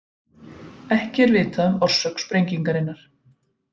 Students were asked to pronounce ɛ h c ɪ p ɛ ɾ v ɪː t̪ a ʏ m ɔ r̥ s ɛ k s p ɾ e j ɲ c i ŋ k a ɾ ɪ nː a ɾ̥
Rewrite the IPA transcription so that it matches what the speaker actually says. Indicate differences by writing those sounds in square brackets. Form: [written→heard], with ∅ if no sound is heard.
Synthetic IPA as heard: ɛ h c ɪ [p→∅] ɛ ɾ v ɪː t̪ a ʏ m ɔ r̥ s [ɛ→œ] k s p ɾ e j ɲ c i ŋ k a ɾ ɪ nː a ɾ̥